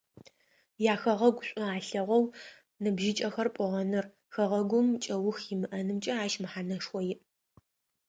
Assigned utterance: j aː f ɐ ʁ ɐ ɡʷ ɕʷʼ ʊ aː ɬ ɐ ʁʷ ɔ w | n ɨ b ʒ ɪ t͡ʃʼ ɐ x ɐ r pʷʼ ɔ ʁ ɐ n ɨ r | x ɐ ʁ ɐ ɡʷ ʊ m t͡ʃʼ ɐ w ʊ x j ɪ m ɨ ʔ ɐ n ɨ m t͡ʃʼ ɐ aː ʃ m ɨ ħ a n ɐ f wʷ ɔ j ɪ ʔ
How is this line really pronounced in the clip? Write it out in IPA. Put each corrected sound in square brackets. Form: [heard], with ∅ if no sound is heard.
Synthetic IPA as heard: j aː [x] ɐ ʁ ɐ ɡʷ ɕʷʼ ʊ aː ɬ ɐ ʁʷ ɔ w | n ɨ b ʒ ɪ t͡ʃʼ ɐ x ɐ r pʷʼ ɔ ʁ ɐ n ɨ r | x ɐ ʁ ɐ ɡʷ ʊ m t͡ʃʼ ɐ w ʊ x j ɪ m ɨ ʔ ɐ n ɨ m t͡ʃʼ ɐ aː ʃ m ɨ ħ a n ɐ [ʂ] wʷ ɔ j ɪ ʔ